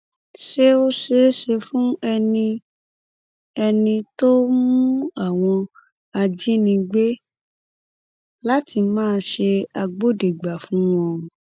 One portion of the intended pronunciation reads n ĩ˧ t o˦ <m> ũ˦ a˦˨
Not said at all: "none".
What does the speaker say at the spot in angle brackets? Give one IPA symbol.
m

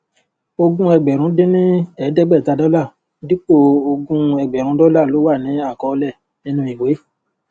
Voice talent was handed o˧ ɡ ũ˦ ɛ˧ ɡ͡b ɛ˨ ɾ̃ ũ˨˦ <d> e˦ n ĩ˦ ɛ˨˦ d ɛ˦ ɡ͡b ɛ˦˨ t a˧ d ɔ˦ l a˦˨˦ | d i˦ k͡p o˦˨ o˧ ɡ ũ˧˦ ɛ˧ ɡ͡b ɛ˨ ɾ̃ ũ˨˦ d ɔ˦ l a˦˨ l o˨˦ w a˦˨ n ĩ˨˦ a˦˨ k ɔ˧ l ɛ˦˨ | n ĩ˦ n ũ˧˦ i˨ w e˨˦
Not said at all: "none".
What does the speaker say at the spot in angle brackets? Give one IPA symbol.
d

